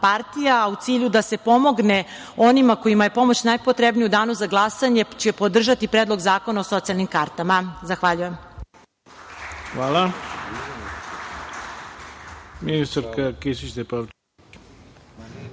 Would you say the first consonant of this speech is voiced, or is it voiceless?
voiceless